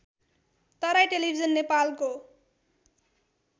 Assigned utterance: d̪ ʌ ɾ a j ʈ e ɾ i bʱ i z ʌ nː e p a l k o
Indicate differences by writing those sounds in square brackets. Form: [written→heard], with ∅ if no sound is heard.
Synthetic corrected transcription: [d̪→t̪] ʌ ɾ a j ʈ e [ɾ→l] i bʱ i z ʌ nː e p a l k o